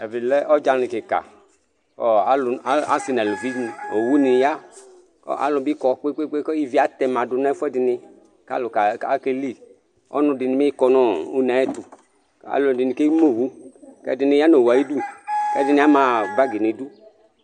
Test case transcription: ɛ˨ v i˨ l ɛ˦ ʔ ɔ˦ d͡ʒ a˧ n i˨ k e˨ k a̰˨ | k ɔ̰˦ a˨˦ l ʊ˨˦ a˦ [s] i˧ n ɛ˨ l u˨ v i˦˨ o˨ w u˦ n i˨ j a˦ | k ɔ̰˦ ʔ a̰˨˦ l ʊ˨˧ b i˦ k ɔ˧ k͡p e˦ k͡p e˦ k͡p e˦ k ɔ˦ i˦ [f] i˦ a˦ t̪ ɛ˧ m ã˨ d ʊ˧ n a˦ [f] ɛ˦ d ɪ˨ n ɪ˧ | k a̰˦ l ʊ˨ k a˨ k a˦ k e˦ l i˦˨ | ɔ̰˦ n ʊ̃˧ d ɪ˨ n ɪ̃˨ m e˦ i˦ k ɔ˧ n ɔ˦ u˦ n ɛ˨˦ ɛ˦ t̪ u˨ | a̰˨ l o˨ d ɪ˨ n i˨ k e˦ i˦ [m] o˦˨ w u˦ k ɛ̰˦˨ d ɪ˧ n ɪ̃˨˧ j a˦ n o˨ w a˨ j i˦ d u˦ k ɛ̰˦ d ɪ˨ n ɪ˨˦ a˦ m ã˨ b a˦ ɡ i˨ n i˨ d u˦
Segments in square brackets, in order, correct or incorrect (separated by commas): correct, incorrect, correct, correct